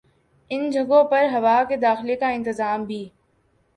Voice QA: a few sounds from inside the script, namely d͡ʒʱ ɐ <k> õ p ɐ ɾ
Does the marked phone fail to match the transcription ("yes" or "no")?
yes